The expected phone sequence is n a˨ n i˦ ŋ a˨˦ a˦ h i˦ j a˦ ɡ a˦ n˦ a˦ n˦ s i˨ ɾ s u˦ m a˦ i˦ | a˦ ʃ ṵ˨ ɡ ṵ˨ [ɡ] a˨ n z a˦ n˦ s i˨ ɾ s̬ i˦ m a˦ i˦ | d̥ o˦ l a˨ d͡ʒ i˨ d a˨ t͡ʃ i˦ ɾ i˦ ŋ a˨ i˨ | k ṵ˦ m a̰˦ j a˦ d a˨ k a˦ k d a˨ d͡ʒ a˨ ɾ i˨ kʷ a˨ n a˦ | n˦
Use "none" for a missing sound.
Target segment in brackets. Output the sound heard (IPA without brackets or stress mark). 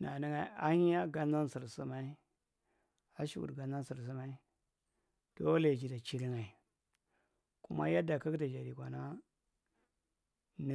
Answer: ɡ